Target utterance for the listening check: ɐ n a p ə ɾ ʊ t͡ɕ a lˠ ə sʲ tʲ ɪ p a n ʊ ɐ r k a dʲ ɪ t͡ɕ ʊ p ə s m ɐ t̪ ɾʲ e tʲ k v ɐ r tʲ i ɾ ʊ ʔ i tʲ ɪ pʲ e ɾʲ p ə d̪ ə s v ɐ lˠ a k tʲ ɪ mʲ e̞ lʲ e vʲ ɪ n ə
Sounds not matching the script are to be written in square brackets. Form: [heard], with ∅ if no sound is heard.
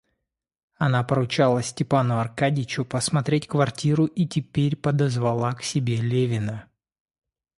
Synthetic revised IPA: ɐ n a p ə ɾ ʊ t͡ɕ a lˠ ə sʲ tʲ ɪ p a n ʊ ɐ r k a dʲ ɪ t͡ɕ ʊ p ə s m ɐ t̪ ɾʲ e tʲ k v ɐ r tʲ i ɾ ʊ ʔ i tʲ ɪ pʲ e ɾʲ p ə d̪ ə [z] v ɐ lˠ a k [sʲ] ɪ [bʲ] e̞ lʲ e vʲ ɪ n ə